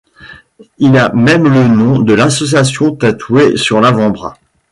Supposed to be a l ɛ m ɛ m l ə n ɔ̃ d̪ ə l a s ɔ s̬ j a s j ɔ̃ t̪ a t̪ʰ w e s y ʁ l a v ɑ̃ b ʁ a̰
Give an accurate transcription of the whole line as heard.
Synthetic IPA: i l a m ɛ m l ə n ɔ̃ d̪ ə l a s ɔ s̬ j a s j ɔ̃ t̪ a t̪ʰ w e s y ʁ l a v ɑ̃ b ʁ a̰

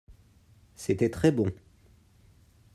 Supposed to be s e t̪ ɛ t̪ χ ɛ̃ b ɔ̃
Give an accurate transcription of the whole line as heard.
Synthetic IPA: s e t̪ ɛ t̪ χ ɛ b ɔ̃

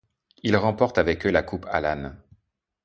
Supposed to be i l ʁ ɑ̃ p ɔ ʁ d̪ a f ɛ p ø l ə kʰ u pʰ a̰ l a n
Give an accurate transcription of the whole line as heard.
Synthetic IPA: i l ʁ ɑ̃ p ɔ ʁ t̪ a v ɛ k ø l a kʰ u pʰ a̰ l a n

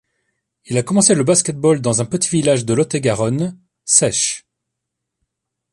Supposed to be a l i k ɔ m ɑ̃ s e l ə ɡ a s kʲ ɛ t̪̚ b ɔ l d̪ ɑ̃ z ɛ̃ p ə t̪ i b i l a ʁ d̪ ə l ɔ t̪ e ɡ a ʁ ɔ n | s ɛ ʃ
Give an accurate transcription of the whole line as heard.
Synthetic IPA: i l a k ɔ m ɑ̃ s e l ə b a s kʲ ɛ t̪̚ b ɔ l d̪ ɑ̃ z ɛ̃ p ə t̪ i v i l a ʒ d̪ ə l ɔ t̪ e ɡ a ʁ ɔ n | s ɛ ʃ

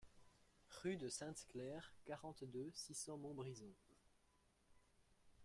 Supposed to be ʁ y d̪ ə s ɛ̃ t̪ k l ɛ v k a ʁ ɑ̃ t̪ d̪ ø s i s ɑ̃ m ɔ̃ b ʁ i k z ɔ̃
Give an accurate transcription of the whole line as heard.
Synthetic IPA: ʁ y d̪ ə s ɛ̃ t̪ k l ɛ ʁ k a ʁ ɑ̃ t̪ d̪ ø s i s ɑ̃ m ɔ̃ b ʁ i z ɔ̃

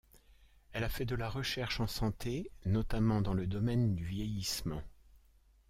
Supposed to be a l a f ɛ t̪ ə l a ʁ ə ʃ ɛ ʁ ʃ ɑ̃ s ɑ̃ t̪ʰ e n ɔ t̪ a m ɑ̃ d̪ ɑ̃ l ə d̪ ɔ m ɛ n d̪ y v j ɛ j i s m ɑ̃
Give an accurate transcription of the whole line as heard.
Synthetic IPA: ɛ l a f ɛ d̪ ə l a ʁ ə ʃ ɛ ʁ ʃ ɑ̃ s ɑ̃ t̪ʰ e n ɔ t̪ a m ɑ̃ d̪ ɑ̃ l ə d̪ ɔ m ɛ n d̪ y v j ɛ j i s m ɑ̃

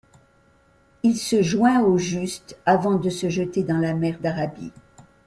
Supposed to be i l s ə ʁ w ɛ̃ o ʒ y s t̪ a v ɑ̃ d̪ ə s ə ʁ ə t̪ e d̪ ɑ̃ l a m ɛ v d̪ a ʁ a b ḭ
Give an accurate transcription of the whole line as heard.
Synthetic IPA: i l s ə ʒ w ɛ̃ o ʒ y s t̪ a v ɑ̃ d̪ ə s ə ʒ ə t̪ e d̪ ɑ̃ l a m ɛ ʁ d̪ a ʁ a b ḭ

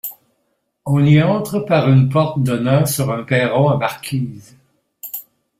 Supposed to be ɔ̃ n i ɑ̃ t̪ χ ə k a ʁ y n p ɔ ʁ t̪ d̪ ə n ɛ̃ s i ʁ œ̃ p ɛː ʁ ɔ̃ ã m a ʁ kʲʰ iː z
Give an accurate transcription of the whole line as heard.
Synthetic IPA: ɔ̃ n i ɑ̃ t̪ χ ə p a ʁ y n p ɔ ʁ t̪ d̪ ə n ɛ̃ s y ʁ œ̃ p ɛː ʁ ɔ̃ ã m a ʁ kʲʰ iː z

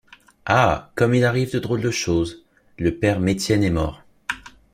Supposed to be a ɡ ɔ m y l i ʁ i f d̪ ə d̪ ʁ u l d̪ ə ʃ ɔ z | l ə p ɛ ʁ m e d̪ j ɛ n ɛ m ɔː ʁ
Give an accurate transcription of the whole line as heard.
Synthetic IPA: a k ɔ m i l a ʁ i v d̪ ə d̪ ʁ o l d̪ ə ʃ o z | l ə p ɛ ʁ m e t̪ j ɛ n ɛ m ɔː ʁ

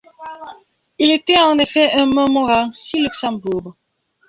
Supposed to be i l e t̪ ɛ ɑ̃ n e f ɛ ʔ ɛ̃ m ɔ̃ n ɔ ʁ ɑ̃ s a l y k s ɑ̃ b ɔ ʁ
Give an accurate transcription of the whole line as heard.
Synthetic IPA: i l e t̪ ɛ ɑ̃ n e f ɛ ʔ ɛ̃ m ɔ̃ m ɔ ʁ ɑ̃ s i l y k s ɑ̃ b u ʁ

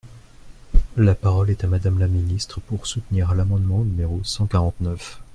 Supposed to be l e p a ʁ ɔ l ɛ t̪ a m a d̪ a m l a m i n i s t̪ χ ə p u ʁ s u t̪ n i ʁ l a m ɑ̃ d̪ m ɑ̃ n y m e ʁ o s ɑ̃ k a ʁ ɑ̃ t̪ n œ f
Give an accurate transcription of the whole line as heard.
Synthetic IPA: l a p a ʁ ɔ l ɛ t̪ a m a d̪ a m l a m i n i s t̪ χ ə p u ʁ s u t̪ n i ʁ l a m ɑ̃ d̪ m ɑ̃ n y m e ʁ o s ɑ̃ k a ʁ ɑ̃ t̪ n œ f

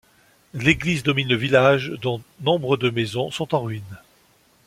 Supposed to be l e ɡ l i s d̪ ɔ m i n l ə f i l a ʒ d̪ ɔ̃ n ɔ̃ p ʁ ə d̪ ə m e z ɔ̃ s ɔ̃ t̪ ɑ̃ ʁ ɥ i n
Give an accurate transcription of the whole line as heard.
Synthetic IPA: l e ɡ l i z d̪ ɔ m i n l ə v i l a ʒ d̪ ɔ̃ n ɔ̃ b ʁ ə d̪ ə m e z ɔ̃ s ɔ̃ t̪ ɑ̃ ʁ ɥ i n

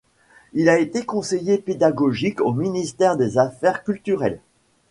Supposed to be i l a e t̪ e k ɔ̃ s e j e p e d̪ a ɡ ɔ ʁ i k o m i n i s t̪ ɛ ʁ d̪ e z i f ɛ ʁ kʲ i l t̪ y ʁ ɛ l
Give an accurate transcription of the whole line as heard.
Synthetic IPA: i l a e t̪ e k ɔ̃ s e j e p e d̪ a ɡ ɔ ʒ i k o m i n i s t̪ ɛ ʁ d̪ e z a f ɛ ʁ kʲ y l t̪ y ʁ ɛ l

